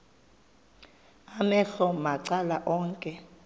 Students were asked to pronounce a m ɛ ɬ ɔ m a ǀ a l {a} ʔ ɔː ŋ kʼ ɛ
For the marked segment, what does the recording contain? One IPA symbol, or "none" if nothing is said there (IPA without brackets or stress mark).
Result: a